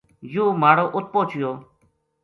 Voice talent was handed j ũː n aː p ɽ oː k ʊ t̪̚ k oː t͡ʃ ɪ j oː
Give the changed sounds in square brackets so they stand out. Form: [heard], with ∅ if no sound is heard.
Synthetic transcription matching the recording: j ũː [m] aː [∅] ɽ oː [ʔ] ʊ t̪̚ [p] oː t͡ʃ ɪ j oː